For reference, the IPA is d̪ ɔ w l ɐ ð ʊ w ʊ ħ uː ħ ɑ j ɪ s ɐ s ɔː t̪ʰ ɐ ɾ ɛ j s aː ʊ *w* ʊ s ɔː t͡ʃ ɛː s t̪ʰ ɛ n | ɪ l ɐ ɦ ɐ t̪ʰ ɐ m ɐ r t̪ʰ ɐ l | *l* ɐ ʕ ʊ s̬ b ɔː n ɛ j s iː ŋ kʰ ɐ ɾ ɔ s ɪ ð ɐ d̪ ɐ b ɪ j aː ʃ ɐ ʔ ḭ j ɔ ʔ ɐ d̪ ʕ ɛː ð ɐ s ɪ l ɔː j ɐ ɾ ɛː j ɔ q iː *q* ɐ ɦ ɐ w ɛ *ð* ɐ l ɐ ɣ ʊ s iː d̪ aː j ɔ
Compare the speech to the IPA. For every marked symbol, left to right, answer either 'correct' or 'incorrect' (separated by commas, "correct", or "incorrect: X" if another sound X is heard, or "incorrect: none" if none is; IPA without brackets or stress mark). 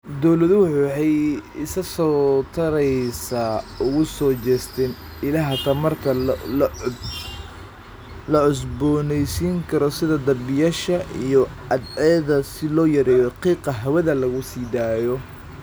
incorrect: ɣ, correct, correct, correct